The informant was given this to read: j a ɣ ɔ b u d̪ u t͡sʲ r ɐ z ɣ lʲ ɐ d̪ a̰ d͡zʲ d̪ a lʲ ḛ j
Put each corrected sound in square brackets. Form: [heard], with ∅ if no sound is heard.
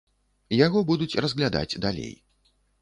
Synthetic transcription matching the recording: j a ɣ ɔ b u d̪ u t͡sʲ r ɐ z ɣ lʲ [a] d̪ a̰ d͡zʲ d̪ a lʲ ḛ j